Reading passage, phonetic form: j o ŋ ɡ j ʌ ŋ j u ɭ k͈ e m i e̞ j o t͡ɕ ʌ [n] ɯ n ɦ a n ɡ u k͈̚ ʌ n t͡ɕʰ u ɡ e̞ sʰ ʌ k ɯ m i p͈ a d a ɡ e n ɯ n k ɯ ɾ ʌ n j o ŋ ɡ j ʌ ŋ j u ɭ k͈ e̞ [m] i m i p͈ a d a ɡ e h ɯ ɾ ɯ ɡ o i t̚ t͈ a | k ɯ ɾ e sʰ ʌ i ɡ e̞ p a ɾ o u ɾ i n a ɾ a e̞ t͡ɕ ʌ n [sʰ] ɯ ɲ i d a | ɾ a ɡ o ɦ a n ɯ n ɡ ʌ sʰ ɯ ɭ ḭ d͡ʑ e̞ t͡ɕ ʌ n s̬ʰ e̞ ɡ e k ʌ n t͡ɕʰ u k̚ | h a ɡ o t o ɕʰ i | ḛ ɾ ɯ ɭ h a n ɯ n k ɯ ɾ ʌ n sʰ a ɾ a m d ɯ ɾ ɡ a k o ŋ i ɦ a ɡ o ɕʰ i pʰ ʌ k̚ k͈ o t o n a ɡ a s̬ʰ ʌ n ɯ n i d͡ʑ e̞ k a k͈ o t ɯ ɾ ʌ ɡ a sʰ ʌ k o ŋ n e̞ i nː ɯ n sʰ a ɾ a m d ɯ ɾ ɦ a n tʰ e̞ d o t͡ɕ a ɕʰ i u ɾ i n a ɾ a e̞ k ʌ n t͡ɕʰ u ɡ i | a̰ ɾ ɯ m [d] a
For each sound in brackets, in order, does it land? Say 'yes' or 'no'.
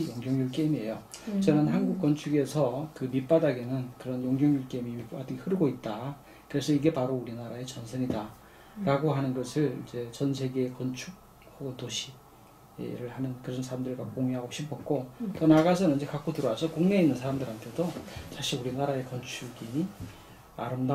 yes, yes, yes, yes

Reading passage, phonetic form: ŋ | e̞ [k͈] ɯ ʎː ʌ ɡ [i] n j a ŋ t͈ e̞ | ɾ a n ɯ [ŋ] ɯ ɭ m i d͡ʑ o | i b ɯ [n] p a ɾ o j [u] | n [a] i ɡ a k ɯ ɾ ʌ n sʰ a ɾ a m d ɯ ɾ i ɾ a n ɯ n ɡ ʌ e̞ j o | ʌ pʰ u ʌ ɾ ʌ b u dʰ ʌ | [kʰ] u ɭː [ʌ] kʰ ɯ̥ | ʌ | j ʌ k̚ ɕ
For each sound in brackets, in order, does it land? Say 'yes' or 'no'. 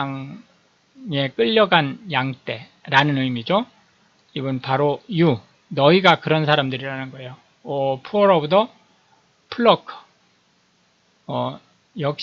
yes, no, no, yes, yes, no, no, yes

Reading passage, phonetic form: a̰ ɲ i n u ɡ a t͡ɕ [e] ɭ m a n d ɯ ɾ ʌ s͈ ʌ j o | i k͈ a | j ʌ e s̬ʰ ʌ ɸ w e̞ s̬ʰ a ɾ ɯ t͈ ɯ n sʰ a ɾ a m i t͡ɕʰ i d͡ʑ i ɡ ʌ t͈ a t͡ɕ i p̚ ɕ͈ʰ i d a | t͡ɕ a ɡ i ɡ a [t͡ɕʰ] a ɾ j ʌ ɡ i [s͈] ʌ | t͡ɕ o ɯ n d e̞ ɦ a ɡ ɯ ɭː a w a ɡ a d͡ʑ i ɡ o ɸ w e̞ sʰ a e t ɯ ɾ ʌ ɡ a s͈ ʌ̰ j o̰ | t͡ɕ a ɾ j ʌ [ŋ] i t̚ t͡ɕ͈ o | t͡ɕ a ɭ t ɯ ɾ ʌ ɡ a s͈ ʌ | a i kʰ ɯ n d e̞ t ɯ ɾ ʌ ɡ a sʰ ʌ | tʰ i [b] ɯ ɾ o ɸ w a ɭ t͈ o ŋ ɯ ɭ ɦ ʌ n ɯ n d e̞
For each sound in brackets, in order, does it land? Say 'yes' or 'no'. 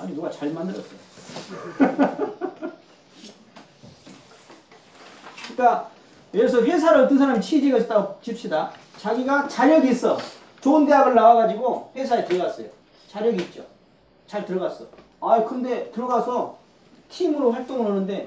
no, no, yes, no, no

